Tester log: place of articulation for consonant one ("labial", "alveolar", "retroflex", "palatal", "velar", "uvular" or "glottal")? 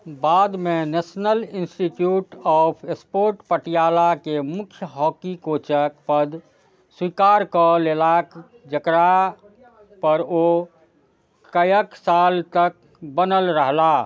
labial